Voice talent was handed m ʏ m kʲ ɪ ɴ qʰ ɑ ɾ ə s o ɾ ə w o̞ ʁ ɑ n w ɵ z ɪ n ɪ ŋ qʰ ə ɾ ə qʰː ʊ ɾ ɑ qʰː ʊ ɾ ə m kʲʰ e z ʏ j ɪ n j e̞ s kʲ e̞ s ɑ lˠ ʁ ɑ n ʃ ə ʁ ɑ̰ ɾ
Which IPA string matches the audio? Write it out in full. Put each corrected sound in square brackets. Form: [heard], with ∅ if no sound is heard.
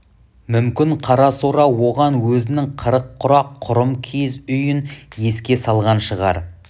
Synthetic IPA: m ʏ m kʲ ɪ ɴ qʰ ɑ ɾ [ɑ] s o ɾ [ɑ] w o̞ ʁ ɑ n w ɵ z ɪ n ɪ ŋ qʰ ə ɾ ə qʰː ʊ ɾ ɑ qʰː ʊ ɾ ə m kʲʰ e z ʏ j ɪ n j e̞ s kʲ e̞ s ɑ lˠ ʁ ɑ n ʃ ə ʁ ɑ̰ ɾ